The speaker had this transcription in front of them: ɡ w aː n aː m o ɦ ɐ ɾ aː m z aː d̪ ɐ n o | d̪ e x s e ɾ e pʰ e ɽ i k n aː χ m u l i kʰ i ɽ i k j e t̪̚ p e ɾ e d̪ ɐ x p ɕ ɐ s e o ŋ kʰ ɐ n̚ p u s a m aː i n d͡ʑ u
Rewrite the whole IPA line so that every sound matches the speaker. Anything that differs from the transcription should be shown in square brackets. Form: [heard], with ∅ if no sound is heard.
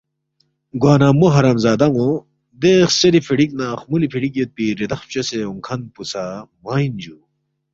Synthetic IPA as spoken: ɡ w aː n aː m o ɦ ɐ ɾ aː m z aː d̪ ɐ [ŋ] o | d̪ e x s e ɾ [i] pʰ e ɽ i k n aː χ m u l i [pʰ] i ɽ i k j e t̪̚ p [i] ɾ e d̪ ɐ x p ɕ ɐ s e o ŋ kʰ ɐ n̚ p u s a m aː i n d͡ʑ u